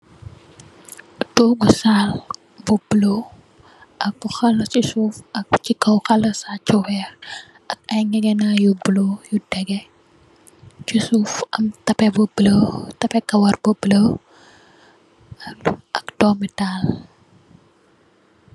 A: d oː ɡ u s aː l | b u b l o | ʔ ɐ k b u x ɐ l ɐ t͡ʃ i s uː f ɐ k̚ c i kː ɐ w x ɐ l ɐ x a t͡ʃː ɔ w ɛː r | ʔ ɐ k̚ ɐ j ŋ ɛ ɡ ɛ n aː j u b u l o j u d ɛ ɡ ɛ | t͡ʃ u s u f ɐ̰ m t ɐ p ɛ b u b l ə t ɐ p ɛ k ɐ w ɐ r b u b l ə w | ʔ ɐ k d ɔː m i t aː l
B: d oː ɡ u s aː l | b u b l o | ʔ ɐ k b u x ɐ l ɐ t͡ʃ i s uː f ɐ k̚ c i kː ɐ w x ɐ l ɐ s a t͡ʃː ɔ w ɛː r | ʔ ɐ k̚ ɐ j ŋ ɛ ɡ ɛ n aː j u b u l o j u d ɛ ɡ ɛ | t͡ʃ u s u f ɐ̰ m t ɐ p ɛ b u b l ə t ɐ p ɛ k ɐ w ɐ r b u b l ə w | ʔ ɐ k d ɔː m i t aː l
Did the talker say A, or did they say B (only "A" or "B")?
B